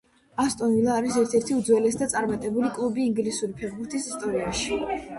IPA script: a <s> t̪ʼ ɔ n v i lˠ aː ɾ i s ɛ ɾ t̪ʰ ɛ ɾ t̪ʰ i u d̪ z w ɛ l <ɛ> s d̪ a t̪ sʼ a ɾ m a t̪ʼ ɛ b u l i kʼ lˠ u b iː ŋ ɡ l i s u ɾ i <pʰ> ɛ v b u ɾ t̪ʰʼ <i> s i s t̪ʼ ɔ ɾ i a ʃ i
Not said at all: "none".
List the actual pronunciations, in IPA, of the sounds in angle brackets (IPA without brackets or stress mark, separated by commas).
s, ɛ, pʰ, i